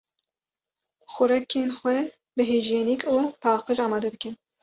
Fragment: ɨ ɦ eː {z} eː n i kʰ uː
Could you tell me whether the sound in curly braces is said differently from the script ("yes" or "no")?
yes